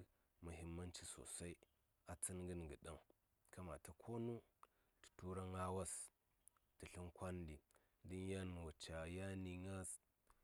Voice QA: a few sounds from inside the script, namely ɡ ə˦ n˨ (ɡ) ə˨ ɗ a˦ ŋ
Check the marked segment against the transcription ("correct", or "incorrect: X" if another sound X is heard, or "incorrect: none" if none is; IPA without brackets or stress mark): correct